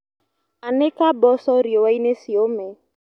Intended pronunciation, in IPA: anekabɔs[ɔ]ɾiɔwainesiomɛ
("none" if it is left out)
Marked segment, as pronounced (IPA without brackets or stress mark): ɔ